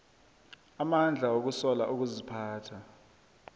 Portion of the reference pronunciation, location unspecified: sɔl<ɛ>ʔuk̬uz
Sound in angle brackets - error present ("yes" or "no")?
yes